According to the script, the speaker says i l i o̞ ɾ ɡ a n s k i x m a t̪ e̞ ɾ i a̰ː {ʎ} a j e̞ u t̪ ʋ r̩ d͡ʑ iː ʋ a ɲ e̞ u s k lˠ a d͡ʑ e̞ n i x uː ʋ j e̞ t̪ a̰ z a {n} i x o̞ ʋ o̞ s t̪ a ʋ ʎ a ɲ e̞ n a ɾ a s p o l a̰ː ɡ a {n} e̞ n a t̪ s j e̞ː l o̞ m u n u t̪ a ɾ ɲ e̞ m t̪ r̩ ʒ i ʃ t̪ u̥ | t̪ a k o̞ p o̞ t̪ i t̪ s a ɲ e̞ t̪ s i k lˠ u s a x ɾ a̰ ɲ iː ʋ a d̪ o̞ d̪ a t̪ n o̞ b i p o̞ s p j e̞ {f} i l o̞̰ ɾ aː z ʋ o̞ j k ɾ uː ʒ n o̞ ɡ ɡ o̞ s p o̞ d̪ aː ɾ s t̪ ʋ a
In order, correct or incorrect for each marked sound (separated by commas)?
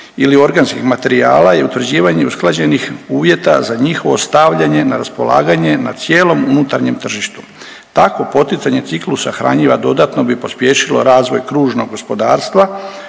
incorrect, incorrect, incorrect, incorrect